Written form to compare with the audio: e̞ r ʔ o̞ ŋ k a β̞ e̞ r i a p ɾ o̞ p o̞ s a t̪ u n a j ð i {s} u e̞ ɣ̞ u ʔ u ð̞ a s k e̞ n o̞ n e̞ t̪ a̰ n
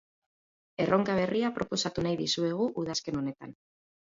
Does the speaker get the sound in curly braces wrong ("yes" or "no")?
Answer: no